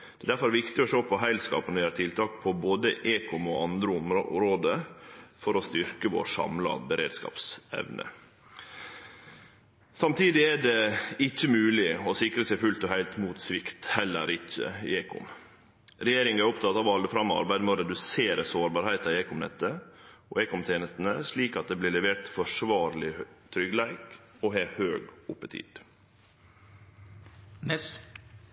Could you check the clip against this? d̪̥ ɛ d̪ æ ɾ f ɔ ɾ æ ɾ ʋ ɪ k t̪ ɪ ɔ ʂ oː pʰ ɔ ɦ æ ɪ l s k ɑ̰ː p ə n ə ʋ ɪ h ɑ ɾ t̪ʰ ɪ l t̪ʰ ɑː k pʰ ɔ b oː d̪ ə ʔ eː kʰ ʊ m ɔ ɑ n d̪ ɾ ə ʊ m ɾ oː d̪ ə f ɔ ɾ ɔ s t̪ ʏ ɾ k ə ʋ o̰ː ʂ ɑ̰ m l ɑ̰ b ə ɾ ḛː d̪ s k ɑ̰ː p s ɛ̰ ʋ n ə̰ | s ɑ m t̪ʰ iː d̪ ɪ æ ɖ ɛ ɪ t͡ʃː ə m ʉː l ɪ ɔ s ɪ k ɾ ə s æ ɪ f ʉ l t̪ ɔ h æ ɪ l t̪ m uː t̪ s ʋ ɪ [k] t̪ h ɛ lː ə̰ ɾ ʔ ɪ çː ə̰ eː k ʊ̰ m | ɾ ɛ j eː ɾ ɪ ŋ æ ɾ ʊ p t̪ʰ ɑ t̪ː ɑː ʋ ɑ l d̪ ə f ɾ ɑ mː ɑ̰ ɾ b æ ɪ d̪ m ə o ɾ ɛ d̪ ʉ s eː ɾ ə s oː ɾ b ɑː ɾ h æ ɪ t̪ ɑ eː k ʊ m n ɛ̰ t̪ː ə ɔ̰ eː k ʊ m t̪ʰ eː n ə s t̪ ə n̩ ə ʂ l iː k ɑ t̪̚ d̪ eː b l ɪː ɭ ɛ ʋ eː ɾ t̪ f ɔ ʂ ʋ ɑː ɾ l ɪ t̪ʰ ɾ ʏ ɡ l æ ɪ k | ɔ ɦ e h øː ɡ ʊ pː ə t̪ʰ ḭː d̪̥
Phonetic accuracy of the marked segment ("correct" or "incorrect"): correct